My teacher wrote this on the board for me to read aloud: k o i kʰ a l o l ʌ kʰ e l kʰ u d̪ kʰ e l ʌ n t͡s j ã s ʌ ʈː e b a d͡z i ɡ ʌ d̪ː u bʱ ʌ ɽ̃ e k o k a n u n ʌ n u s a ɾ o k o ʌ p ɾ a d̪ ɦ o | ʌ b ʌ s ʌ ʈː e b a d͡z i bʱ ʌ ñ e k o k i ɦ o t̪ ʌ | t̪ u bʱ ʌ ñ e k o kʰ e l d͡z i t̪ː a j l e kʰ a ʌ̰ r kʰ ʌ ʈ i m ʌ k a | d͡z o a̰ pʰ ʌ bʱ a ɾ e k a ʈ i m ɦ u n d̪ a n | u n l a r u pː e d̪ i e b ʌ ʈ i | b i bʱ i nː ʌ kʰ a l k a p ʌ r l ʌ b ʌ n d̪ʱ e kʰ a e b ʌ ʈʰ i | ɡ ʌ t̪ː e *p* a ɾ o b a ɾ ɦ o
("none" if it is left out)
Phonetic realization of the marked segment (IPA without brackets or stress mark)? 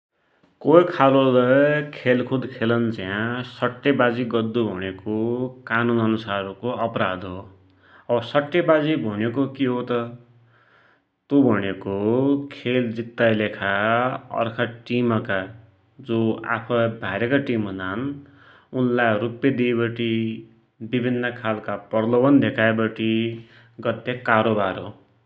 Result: k